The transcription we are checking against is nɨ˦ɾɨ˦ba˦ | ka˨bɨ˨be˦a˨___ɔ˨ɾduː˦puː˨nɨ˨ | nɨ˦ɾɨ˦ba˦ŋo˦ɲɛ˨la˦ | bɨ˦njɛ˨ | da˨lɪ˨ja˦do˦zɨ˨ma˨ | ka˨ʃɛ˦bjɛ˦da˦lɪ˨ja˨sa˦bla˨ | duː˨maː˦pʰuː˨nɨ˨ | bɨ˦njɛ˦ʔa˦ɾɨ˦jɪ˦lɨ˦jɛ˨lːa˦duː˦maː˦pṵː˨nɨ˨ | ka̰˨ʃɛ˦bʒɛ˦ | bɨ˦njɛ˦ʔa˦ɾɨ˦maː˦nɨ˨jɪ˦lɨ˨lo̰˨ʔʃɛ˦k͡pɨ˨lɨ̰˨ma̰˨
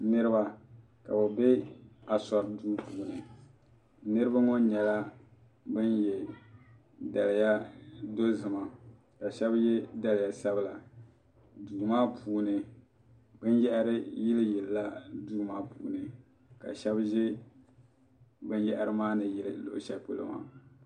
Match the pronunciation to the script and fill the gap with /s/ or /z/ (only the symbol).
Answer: s